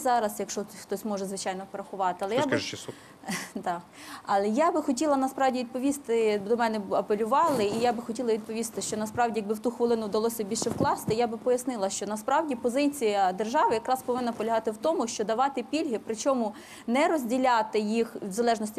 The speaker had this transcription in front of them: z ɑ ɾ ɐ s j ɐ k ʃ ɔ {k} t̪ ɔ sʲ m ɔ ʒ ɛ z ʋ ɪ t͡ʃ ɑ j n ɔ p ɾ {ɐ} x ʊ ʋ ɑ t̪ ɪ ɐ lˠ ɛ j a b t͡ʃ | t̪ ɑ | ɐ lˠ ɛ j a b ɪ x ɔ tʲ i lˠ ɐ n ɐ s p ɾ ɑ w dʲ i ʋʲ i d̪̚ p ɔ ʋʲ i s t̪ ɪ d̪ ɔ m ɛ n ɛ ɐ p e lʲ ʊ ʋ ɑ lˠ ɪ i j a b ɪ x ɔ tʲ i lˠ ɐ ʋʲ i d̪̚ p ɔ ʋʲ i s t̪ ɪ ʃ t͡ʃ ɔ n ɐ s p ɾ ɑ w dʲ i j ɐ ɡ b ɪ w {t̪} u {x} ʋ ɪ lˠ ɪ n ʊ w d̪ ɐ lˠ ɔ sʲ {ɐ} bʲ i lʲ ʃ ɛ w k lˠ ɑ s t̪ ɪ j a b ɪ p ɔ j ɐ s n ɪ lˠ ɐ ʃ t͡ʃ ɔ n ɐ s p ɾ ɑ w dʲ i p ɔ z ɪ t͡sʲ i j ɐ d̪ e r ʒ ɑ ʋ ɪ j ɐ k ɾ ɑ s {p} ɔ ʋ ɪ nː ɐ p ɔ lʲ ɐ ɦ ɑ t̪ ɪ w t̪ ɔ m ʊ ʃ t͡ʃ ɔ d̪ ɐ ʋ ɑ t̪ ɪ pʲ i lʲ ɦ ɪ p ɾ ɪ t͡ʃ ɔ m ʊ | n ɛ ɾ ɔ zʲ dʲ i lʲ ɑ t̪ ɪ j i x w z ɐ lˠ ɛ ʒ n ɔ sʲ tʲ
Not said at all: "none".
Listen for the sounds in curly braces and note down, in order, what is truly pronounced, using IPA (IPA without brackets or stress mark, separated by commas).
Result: x, ɐ, t̪, x, ɐ, p